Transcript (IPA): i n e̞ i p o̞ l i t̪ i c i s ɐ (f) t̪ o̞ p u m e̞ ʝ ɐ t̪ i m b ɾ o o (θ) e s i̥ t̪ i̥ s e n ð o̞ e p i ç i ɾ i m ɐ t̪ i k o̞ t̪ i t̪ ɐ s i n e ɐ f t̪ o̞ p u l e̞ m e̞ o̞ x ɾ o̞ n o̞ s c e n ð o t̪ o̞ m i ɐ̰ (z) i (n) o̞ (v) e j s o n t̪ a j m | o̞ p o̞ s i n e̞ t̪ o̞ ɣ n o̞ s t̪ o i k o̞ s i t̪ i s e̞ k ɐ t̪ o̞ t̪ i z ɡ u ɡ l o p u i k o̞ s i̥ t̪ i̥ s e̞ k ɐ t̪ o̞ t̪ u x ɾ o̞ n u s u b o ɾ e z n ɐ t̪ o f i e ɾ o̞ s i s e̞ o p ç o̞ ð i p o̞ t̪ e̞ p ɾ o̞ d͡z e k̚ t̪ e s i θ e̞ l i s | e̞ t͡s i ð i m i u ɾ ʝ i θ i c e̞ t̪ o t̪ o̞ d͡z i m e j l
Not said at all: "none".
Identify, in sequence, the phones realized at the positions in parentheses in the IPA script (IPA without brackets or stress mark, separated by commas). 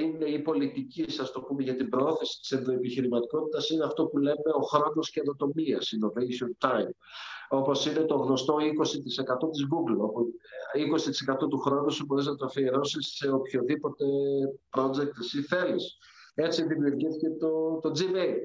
s, θ, s, n, v